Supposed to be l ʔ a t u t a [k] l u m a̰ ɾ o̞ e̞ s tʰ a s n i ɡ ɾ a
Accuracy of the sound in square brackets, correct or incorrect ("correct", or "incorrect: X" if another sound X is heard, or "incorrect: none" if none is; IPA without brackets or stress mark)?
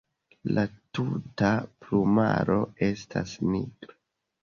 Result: incorrect: p